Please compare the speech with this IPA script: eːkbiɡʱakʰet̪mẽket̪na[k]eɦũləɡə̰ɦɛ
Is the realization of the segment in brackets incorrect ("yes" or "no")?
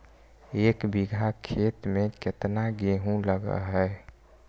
yes